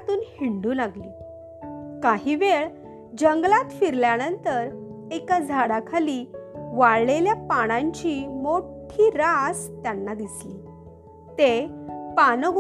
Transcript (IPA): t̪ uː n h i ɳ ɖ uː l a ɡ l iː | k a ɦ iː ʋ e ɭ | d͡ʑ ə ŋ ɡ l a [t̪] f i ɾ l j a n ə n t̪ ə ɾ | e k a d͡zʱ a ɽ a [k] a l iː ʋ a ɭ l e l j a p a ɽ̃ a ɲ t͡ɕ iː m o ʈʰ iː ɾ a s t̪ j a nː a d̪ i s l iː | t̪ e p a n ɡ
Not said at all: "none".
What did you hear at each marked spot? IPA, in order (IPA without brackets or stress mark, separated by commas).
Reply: t̪, kʰ